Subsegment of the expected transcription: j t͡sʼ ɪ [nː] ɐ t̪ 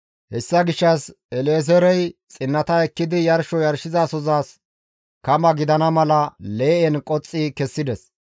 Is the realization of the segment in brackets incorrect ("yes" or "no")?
no